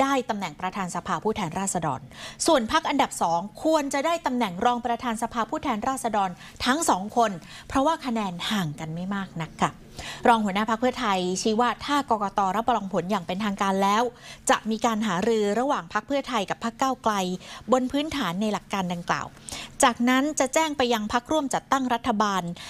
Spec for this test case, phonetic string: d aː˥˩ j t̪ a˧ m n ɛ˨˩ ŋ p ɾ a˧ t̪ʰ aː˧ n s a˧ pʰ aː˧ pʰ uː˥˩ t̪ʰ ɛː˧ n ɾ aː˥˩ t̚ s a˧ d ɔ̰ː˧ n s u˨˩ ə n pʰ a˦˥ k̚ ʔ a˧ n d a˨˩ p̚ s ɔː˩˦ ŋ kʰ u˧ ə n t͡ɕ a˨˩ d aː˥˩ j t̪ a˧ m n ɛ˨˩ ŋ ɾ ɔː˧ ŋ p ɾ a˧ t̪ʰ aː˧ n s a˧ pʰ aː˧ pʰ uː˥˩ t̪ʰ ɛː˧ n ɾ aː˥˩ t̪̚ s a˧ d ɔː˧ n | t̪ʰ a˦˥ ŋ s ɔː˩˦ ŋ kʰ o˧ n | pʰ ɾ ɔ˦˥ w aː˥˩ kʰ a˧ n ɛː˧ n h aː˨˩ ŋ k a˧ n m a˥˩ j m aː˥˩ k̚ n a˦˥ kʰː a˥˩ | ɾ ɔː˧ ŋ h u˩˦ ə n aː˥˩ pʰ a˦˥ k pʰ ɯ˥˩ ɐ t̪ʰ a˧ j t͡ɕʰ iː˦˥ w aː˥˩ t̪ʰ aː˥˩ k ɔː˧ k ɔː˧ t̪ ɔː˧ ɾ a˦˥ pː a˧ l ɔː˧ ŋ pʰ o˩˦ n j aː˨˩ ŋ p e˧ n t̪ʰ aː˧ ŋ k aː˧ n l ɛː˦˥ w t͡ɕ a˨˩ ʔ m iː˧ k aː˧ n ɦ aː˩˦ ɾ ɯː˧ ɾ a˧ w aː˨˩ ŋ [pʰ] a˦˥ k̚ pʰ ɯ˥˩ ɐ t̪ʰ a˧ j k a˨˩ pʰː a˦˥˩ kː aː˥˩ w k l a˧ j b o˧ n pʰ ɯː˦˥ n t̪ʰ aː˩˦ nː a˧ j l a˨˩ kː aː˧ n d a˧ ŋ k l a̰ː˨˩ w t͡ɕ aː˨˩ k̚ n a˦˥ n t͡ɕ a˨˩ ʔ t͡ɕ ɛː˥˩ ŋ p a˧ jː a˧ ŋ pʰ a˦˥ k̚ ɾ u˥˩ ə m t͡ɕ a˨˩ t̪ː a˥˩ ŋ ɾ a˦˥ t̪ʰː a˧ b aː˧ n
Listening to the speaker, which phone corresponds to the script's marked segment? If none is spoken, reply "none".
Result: pʰ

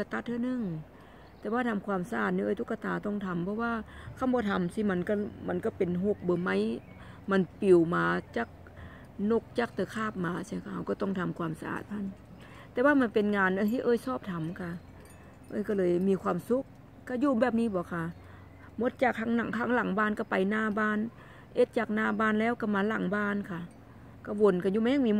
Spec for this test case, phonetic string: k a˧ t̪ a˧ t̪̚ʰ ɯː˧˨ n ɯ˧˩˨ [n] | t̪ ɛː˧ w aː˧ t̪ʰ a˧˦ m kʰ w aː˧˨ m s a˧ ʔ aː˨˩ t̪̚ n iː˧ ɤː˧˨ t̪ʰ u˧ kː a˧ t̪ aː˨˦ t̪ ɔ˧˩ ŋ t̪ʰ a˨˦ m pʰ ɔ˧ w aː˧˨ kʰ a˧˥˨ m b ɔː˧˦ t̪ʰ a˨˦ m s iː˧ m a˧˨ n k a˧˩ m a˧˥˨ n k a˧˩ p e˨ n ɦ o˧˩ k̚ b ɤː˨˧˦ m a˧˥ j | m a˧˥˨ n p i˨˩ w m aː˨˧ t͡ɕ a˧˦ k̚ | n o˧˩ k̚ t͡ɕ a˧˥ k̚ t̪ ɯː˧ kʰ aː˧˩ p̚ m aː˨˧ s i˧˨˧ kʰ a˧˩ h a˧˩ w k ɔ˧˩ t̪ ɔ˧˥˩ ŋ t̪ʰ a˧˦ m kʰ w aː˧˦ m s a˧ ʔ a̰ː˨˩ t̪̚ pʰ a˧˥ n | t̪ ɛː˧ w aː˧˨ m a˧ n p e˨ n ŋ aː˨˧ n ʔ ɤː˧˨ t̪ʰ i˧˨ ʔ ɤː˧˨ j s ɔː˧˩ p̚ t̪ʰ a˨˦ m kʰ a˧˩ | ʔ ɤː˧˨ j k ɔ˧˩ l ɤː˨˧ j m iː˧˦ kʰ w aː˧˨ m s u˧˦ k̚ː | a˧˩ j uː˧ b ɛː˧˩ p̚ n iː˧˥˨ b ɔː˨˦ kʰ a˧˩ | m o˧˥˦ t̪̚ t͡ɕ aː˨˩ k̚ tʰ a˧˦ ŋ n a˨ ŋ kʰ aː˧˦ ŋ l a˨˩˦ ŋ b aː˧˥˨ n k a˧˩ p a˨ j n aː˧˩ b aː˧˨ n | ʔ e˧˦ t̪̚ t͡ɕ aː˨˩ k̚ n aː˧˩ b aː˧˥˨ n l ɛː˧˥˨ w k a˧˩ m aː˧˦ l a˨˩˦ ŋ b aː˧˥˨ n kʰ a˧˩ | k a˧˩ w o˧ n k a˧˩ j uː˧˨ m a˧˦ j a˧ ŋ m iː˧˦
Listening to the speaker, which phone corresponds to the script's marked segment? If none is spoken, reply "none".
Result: ŋ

